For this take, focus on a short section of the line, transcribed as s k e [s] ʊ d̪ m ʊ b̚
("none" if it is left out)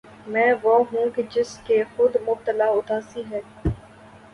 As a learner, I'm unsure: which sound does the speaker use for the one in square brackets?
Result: x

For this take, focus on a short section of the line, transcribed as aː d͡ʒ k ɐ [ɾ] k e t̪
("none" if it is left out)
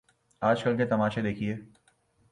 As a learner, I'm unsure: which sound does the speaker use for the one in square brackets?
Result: l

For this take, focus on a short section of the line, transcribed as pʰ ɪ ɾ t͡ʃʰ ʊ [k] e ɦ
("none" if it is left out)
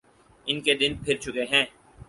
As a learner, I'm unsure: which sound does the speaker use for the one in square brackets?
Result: k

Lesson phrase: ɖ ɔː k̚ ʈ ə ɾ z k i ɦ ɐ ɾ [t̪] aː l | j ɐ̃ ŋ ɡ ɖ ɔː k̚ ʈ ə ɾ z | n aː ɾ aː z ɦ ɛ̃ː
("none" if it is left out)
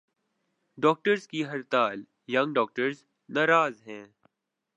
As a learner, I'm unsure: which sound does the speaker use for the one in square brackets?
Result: t̪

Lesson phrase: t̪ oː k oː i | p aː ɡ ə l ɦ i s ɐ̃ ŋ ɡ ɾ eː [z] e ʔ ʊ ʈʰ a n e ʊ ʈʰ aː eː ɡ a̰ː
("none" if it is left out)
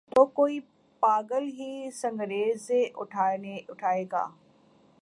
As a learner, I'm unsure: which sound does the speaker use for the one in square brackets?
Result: z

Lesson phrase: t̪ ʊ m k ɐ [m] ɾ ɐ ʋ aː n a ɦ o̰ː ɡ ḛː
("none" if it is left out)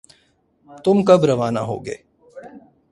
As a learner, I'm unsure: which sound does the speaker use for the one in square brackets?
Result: b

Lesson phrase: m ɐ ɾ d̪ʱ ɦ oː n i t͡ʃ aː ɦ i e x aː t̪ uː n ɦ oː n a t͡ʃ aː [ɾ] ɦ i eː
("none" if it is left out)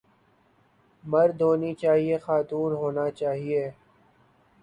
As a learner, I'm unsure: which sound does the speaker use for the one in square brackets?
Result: none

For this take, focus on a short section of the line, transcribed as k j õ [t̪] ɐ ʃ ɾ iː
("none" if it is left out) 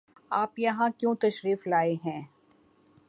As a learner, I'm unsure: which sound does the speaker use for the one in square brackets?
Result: t̪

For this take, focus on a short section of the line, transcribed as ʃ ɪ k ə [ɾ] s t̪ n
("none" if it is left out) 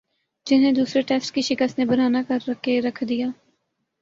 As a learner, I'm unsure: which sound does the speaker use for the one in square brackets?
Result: none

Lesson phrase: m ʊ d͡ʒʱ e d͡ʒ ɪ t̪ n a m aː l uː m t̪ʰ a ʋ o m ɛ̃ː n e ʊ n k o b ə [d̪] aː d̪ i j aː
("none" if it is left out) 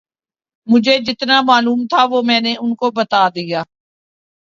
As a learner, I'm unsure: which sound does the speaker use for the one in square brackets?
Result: t̪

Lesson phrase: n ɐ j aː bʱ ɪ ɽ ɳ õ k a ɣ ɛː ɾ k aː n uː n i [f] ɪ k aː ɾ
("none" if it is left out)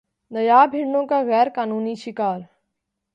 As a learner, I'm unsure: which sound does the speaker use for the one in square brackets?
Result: ʃ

